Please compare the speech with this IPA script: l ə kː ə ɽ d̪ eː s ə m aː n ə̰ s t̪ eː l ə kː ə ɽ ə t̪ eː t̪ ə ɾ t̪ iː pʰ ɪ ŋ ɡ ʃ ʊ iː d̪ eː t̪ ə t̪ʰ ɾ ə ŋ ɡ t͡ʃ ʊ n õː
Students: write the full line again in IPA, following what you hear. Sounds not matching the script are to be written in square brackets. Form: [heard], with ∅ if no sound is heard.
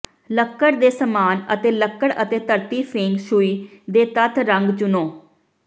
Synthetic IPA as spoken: l ə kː ə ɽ d̪ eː s ə m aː n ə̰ [∅] t̪ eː l ə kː ə ɽ ə t̪ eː t̪ ə ɾ t̪ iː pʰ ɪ ŋ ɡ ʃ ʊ iː d̪ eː t̪ ə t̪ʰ ɾ ə ŋ ɡ t͡ʃ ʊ n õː